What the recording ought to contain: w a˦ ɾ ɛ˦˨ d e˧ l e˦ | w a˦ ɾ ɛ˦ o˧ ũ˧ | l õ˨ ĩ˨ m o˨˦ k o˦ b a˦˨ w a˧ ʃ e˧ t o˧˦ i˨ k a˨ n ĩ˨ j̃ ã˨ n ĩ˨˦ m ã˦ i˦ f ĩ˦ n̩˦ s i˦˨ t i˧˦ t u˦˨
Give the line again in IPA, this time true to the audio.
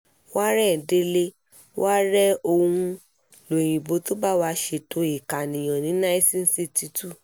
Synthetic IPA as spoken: w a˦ ɾ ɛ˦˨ d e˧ l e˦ | w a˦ ɾ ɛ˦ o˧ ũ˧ | l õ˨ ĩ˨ b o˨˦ t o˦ b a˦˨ w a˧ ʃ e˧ t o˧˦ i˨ k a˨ n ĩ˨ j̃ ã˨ n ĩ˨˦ n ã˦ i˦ s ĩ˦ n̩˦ s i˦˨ t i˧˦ t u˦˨